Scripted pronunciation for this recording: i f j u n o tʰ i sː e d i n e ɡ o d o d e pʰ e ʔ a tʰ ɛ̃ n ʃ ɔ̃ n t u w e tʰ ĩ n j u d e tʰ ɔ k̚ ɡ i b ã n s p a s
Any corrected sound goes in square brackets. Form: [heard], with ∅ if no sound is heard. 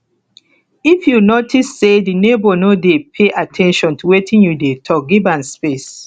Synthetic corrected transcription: i f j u n o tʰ i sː e d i n e [b] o [n] o d e pʰ e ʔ a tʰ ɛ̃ n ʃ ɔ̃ n t u w e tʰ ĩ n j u d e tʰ ɔ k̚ ɡ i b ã n s p [e] s